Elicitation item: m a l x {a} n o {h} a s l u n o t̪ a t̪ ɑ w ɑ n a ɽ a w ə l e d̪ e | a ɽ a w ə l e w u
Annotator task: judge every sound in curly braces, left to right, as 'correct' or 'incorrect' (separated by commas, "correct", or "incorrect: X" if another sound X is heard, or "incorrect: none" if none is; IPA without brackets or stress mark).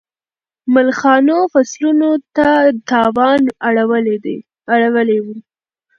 incorrect: ɑ, incorrect: f